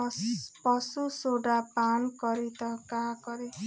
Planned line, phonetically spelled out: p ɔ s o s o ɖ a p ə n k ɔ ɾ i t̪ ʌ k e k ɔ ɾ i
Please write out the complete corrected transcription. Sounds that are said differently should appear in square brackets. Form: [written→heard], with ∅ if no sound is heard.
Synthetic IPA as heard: p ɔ s [o→u] s o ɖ a p [ə→a] n k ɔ ɾ i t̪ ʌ k [e→a] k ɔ ɾ i